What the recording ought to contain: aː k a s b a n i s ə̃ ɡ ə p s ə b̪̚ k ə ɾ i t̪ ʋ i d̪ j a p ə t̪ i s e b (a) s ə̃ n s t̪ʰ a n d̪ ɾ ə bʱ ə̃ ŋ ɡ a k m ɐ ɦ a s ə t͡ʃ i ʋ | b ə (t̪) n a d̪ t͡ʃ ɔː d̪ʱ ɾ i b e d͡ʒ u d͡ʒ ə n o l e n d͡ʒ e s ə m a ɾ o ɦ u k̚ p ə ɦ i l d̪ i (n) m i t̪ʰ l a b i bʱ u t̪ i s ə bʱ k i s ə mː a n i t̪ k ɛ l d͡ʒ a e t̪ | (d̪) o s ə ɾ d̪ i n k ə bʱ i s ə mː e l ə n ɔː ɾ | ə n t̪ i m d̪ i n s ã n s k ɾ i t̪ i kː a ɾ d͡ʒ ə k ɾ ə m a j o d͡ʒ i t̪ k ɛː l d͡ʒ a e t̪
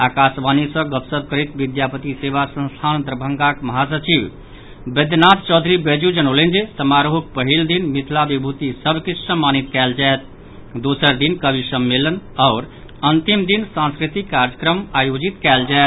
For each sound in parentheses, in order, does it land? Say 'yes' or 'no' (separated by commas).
yes, no, yes, yes